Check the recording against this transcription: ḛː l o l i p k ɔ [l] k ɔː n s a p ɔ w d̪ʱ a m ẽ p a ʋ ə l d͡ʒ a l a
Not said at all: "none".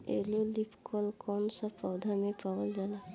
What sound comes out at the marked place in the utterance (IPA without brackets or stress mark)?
l